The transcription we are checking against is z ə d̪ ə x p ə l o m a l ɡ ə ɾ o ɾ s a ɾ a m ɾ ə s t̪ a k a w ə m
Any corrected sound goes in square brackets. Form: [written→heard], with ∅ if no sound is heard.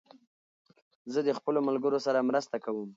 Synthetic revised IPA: z ə d̪ ə x p ə l o m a l ɡ ə ɾ o [ɾ→∅] s a ɾ a m ɾ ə s t̪ a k a w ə m